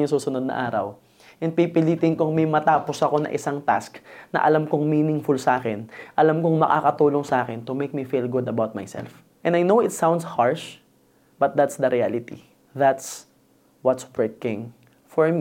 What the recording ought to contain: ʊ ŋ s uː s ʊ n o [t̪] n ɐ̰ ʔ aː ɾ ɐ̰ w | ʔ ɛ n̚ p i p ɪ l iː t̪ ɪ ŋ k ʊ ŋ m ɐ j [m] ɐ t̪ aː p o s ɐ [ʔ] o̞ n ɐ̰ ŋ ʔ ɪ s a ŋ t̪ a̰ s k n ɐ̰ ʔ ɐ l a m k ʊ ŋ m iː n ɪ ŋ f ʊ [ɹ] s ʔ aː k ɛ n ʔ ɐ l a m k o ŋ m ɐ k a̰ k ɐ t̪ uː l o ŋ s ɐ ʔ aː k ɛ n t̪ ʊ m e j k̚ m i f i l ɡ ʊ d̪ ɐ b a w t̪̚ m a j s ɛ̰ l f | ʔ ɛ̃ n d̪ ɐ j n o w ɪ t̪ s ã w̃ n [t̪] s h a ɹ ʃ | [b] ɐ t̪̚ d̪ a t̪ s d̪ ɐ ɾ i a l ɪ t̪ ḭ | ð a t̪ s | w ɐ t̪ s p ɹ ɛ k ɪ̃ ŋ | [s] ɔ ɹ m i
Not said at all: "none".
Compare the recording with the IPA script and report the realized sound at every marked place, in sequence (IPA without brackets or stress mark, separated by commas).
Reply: d̪, m, k, l, d̪, b, f